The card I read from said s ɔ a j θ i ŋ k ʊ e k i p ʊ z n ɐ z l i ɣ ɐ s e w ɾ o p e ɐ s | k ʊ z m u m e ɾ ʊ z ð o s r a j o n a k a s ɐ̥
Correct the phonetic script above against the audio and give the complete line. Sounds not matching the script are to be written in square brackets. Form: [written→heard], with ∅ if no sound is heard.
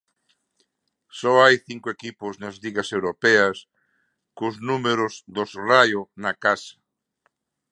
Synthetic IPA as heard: s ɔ a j θ i ŋ k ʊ e k i p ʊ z n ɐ z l i ɣ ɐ s e w ɾ o p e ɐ s | k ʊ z [m→n] u m e ɾ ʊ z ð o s r a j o n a k a s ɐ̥